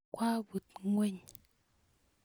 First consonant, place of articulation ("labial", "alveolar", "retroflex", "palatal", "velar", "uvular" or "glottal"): velar